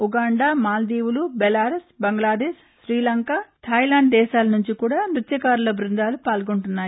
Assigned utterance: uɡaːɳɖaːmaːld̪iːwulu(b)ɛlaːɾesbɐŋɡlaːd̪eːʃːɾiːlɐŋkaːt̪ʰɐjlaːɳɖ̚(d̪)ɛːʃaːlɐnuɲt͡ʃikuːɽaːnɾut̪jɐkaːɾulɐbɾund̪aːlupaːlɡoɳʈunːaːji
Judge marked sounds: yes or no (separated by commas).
yes, yes